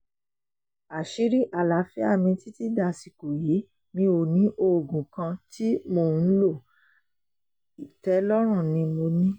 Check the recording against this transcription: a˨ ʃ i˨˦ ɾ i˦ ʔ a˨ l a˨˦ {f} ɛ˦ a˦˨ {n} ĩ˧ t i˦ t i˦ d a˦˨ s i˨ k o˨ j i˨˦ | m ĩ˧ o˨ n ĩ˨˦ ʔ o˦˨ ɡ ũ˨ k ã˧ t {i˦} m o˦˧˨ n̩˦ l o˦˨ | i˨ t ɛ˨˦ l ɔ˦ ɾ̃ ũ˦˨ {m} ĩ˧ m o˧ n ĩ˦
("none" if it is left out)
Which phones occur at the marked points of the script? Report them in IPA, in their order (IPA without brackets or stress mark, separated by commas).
f, m, i˦, n